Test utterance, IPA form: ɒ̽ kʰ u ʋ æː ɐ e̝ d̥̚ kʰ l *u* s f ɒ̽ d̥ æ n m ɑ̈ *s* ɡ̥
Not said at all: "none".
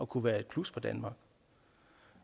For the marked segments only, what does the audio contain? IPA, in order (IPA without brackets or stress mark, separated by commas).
u, none